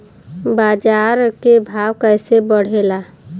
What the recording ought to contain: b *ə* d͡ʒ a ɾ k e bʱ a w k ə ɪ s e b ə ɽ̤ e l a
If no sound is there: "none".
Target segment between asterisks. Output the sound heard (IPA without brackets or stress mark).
a